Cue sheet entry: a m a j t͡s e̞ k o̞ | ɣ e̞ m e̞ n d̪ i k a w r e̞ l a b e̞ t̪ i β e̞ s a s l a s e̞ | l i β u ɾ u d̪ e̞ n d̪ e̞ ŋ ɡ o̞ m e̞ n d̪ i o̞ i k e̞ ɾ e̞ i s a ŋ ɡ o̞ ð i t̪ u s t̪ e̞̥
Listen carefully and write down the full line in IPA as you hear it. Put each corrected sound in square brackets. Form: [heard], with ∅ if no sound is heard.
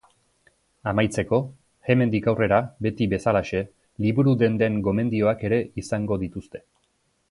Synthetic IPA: a m a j t͡s e̞ k o̞ | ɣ e̞ m e̞ n d̪ i k a w r e̞ [ɾ] a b e̞ t̪ i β e̞ s a [∅] l a [ʃ] e̞ | l i β u ɾ u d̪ e̞ n d̪ e̞ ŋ ɡ o̞ m e̞ n d̪ i o̞ [a] k e̞ ɾ e̞ i s a ŋ ɡ o̞ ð i t̪ u s t̪ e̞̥